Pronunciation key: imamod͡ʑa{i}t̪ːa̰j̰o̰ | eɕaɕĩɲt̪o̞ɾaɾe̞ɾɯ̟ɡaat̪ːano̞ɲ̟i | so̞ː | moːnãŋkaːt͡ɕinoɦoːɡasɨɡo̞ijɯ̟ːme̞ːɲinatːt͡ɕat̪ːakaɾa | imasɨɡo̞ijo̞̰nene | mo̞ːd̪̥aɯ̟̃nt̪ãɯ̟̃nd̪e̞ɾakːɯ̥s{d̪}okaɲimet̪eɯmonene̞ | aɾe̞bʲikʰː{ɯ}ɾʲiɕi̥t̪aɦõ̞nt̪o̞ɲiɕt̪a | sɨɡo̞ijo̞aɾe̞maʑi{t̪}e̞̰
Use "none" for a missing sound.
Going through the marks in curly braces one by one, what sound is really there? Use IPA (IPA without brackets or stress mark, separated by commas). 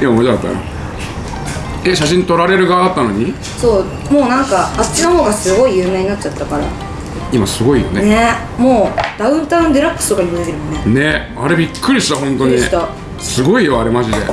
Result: a, t̪, ɯ, d̪